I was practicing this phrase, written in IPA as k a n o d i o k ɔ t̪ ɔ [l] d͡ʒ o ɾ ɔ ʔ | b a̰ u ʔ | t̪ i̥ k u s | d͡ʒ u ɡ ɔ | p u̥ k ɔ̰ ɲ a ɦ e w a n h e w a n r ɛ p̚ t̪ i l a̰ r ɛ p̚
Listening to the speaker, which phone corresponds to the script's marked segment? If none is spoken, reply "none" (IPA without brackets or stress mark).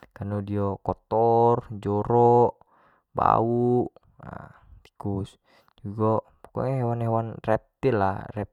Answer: r